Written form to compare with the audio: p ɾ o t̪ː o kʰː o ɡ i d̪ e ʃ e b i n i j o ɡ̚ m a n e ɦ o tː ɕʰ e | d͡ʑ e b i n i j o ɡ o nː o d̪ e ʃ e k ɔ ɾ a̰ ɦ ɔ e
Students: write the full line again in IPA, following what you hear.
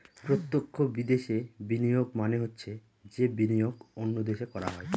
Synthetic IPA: p ɾ o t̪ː o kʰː o b i d̪ e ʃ e b i n i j o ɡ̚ m a n e ɦ o tː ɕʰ e | d͡ʑ e b i n i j o ɡ o nː o d̪ e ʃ e k ɔ ɾ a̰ ɦ ɔ e